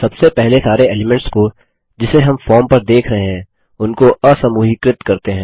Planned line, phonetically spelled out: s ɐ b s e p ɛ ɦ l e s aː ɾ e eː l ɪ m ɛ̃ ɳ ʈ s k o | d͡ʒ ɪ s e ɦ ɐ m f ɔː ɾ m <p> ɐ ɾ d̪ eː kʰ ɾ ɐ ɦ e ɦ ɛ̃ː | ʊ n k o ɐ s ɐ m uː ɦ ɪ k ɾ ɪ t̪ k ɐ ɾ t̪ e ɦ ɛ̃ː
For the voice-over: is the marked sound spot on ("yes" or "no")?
yes